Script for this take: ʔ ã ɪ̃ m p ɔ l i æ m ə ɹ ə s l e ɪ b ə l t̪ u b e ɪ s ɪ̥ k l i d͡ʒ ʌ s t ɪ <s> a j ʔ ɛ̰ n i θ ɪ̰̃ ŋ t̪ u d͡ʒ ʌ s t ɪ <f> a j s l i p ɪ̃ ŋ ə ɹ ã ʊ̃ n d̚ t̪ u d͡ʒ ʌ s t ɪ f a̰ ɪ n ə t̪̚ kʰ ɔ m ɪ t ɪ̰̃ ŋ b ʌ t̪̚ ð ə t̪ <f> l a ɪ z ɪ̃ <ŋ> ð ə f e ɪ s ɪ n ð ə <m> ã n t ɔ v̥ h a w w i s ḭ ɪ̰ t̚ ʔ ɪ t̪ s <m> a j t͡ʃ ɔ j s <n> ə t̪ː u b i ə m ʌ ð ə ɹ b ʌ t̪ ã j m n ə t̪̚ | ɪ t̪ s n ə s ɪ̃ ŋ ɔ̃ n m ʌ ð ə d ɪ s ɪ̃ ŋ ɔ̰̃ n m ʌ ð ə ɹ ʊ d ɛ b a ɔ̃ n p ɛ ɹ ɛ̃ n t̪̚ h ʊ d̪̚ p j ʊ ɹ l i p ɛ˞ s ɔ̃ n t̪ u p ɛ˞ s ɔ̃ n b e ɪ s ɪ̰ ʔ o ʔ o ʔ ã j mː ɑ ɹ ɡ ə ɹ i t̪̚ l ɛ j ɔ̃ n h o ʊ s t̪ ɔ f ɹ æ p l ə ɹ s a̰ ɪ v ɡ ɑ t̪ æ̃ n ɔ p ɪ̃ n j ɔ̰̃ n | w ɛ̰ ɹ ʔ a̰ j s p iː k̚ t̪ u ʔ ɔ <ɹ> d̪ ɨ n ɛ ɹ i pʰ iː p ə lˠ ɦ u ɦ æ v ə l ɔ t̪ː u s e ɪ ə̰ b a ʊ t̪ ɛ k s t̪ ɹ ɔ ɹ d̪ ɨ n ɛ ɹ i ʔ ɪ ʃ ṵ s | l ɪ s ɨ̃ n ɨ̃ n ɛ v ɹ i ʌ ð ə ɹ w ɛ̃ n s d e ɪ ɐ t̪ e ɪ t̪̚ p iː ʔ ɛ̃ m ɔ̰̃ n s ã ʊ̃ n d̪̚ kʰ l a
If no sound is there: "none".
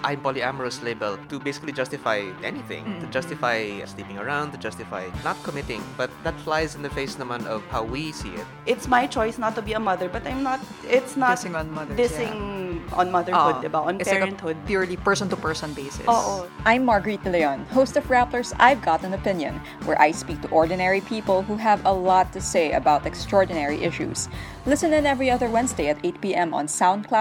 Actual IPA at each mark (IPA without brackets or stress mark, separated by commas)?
f, f, f, n, m, m, n, ɹ